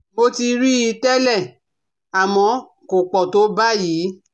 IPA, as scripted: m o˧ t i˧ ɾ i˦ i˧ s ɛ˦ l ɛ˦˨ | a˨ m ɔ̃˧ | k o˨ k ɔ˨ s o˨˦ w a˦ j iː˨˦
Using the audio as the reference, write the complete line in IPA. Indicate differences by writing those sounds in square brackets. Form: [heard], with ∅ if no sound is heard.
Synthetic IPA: m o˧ t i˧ ɾ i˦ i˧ [t] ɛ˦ l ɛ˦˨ | a˨ m ɔ̃˧ | k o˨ [k͡p] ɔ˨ [t] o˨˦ [b] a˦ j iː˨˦